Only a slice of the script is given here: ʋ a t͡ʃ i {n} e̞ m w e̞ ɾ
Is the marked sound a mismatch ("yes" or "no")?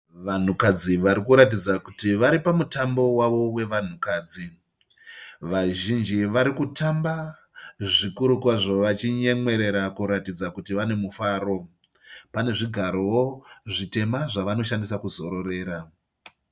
yes